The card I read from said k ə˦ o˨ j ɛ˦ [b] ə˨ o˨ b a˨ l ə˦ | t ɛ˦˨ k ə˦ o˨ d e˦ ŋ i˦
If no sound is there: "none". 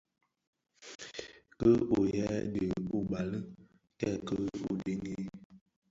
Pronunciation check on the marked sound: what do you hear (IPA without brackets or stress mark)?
d